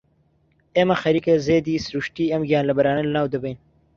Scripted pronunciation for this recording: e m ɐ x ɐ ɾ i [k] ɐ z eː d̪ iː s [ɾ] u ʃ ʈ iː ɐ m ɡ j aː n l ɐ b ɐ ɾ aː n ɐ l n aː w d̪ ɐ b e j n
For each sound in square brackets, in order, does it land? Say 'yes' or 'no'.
yes, yes

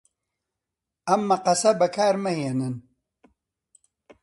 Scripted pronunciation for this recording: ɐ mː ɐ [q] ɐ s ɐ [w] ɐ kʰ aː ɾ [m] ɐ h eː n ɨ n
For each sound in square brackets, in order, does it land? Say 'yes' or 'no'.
yes, no, yes

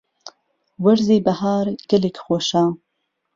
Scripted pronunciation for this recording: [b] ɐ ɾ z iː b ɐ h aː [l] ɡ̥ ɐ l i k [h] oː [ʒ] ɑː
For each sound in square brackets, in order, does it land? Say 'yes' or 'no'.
no, no, no, no

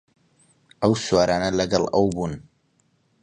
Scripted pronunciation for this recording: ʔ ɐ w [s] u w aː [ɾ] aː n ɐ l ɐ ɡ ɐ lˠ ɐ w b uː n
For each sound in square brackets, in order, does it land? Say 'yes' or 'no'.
yes, yes

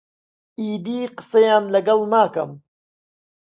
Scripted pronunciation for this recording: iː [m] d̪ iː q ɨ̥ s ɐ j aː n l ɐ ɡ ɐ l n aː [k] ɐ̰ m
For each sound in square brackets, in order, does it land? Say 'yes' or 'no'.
no, yes

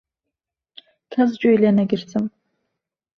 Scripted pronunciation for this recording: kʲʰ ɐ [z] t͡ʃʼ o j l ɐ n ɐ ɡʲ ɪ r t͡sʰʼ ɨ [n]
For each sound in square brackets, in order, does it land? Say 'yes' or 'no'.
yes, no

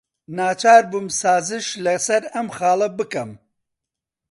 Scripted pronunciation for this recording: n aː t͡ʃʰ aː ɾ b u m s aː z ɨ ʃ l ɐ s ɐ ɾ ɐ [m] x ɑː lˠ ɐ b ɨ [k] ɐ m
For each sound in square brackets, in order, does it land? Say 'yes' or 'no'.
yes, yes

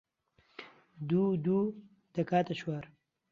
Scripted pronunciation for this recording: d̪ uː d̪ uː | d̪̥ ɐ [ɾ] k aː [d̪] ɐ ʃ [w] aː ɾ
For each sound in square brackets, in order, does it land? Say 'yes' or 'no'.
no, no, yes

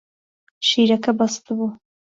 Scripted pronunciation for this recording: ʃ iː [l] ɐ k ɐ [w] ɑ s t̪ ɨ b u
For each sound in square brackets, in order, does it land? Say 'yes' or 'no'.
no, no

